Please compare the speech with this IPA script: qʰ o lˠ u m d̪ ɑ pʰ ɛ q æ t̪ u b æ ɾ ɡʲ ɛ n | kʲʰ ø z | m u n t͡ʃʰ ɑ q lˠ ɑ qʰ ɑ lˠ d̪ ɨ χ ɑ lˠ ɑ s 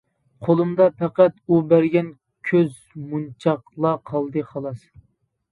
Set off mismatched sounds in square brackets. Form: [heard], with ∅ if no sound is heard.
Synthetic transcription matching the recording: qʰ o lˠ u m d̪ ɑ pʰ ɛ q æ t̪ u b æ ɾ ɡʲ ɛ n | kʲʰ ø z | m u n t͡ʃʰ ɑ q lˠ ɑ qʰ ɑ lˠ d̪ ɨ χ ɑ lˠ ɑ s